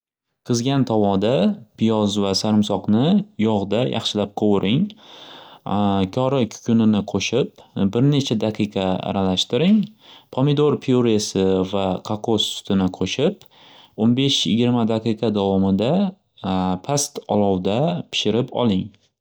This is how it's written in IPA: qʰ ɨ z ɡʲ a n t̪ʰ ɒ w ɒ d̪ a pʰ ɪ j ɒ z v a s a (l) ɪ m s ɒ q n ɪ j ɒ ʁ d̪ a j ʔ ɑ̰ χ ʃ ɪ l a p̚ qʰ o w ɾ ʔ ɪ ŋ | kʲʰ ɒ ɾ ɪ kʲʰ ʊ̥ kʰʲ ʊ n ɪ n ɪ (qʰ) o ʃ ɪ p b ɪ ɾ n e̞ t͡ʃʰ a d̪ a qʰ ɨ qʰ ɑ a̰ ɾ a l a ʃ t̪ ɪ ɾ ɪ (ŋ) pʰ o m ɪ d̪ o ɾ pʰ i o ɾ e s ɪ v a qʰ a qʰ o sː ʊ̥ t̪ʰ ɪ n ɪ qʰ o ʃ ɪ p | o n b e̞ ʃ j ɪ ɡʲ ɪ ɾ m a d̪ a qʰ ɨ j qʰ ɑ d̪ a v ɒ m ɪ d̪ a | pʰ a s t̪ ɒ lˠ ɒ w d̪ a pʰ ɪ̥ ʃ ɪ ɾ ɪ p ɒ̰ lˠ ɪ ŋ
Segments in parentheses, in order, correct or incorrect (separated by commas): incorrect, correct, correct